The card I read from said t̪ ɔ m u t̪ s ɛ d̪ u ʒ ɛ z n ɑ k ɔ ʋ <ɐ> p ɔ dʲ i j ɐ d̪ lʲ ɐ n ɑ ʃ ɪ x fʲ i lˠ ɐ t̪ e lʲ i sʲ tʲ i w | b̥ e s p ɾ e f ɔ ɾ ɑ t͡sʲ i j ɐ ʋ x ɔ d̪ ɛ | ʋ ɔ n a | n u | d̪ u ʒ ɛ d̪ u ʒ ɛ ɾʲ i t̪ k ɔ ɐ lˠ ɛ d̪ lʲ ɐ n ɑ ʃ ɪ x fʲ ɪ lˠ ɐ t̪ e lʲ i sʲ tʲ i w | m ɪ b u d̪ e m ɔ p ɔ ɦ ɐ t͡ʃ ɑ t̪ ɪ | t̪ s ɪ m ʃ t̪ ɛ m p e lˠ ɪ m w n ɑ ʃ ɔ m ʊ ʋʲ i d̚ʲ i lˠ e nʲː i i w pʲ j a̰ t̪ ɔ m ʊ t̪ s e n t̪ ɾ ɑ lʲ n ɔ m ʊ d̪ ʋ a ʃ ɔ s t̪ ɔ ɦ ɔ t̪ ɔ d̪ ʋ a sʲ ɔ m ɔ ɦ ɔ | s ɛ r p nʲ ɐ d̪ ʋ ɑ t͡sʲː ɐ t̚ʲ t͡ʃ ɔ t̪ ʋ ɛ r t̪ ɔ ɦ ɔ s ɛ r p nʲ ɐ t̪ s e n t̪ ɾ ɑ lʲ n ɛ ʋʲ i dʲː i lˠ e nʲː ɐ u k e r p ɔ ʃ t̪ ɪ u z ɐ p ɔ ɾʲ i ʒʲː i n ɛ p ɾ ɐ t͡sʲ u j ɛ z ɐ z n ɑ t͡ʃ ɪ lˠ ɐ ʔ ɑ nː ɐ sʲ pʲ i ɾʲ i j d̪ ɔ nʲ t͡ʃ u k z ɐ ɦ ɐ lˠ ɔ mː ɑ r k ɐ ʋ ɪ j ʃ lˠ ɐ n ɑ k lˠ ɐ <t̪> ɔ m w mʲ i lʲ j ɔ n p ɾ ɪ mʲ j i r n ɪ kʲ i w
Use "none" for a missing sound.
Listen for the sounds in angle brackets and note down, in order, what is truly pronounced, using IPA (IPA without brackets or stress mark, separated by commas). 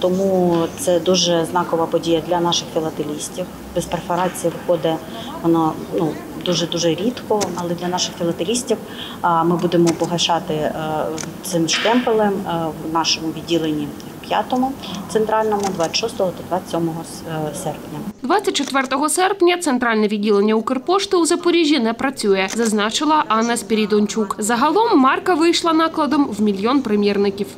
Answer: ɐ, d̪